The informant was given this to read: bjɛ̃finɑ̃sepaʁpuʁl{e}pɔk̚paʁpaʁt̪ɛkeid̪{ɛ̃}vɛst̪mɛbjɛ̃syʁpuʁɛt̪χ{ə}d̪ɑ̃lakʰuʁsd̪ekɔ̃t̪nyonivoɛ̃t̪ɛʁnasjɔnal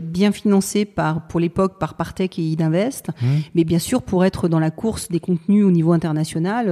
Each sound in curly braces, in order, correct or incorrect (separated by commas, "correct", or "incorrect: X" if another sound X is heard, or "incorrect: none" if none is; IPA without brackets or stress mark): correct, correct, correct